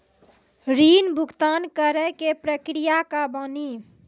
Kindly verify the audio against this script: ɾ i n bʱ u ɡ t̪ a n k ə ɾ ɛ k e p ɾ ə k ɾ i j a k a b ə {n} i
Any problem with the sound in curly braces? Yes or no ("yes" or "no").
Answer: no